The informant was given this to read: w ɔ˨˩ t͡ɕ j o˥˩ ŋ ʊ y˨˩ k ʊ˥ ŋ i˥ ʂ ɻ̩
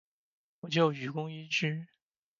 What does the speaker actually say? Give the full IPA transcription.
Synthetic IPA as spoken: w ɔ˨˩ t͡ɕ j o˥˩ ʊ y˨˩ k ʊ˥ ŋ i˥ ʈ͡ʂ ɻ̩